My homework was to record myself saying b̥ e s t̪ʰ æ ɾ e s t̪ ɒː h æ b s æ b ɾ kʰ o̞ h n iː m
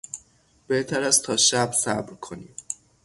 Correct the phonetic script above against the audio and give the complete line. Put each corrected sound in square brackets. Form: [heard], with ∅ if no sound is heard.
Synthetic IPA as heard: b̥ e [h] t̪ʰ æ ɾ [æ] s [t̪ʰ] ɒː [ʃ] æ b s æ b ɾ kʰ o̞ [∅] n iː m